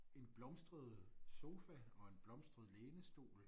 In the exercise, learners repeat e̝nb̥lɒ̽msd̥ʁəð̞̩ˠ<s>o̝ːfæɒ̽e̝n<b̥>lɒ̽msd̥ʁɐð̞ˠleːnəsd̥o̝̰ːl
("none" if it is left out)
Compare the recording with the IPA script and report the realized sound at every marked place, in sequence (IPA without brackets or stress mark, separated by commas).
s, b̥